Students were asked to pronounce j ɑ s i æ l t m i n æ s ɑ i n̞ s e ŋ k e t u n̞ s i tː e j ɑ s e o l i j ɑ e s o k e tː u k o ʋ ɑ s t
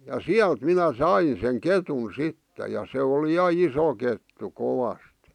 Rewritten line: j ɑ s i æ l t m i n æ s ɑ i n̞ s e ŋ k e t u n̞ s i tː e j ɑ s e o l i j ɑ i s o k e tː u k o ʋ ɑ s t